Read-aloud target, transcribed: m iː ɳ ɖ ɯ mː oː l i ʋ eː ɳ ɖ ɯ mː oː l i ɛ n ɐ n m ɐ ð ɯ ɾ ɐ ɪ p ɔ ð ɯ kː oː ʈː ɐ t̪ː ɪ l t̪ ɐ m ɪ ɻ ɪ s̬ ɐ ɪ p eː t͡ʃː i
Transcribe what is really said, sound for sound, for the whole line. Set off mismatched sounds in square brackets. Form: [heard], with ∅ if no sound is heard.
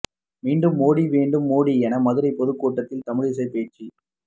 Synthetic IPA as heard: m iː ɳ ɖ ɯ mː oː [ɽ] i ʋ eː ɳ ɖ ɯ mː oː [ɽ] i ɛ n ɐ [∅] m ɐ ð ɯ ɾ ɐ ɪ p ɔ ð ɯ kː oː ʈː ɐ t̪ː ɪ l t̪ ɐ m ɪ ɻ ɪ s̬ ɐ ɪ p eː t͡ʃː i